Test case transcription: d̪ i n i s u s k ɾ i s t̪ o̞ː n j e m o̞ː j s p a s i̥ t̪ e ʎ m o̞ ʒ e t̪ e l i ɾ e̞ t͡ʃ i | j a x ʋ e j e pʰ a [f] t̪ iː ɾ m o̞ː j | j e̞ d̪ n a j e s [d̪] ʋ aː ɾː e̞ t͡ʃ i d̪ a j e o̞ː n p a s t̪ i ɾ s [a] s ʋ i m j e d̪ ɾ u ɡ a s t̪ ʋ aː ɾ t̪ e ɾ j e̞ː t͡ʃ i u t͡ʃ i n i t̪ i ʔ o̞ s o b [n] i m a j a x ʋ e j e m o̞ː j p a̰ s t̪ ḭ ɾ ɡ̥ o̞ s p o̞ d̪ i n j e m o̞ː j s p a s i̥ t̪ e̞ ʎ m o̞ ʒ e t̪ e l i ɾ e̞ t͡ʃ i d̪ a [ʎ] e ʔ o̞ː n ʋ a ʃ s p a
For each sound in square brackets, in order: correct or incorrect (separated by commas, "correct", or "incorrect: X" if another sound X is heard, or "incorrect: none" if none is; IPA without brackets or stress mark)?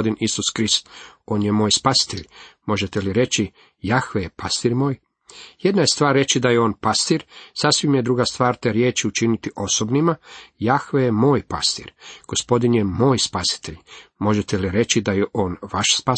incorrect: s, incorrect: t̪, correct, correct, incorrect: j